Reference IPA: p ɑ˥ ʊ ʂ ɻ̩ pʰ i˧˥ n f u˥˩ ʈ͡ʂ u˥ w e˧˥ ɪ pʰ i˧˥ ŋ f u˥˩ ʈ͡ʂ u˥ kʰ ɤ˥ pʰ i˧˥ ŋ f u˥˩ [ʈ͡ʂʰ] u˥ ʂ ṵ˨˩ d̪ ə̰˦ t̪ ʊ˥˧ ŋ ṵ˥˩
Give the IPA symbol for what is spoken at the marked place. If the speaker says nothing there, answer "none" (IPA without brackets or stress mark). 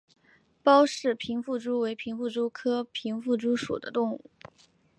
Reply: ʈ͡ʂ